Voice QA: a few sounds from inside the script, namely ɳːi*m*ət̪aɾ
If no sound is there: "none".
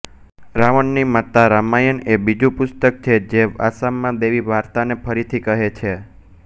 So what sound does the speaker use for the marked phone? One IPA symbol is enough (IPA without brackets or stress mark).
m